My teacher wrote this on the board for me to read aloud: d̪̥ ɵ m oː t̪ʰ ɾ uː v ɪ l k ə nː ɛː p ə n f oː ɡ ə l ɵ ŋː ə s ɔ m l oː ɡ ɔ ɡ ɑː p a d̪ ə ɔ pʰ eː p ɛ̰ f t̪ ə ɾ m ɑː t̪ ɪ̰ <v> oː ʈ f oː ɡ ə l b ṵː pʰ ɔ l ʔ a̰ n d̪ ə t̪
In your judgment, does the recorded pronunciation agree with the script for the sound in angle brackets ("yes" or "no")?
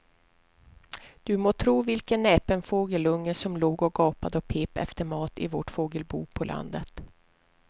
yes